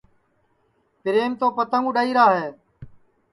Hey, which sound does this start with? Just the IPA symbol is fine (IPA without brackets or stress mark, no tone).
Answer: p